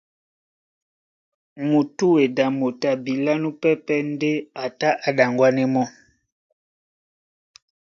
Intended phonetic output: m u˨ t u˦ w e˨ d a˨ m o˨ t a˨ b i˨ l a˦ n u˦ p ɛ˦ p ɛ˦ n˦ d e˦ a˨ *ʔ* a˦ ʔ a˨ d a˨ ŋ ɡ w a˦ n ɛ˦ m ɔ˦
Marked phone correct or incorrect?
incorrect